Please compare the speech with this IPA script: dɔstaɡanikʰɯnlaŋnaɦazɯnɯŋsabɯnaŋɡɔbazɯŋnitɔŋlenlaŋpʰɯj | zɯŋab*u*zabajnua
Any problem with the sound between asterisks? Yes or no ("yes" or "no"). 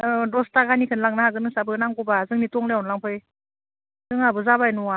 yes